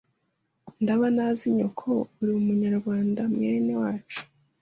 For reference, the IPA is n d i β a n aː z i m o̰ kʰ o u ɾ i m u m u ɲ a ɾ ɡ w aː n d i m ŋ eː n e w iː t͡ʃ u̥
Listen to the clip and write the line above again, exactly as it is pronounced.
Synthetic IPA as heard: n d a β a n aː z i ɲ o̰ kʰ o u ɾ i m u m u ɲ a ɾ ɡ w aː n d a m ŋ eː n e w aː t͡ʃ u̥